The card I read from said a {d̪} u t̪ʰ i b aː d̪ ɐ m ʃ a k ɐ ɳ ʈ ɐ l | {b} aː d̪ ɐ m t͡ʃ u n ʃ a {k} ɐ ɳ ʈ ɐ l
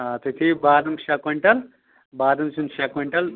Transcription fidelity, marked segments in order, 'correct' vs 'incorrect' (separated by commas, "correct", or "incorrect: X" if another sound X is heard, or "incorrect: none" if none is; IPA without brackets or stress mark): incorrect: t̪, correct, correct